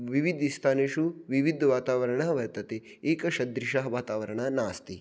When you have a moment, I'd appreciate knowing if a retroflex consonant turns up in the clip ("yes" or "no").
yes